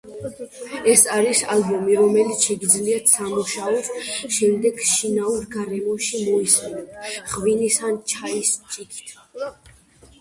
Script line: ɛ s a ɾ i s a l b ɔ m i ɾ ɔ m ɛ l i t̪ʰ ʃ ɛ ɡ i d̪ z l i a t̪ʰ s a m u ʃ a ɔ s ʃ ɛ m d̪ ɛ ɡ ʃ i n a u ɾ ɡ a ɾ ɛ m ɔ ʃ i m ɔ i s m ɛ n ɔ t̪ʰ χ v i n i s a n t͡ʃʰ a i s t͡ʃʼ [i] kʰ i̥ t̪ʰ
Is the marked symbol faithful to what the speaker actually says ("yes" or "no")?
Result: yes